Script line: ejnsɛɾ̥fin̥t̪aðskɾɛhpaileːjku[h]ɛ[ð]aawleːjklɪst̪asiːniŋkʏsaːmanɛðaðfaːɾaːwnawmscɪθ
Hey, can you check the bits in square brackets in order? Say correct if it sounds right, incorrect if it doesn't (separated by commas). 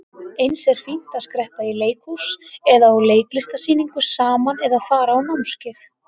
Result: incorrect, correct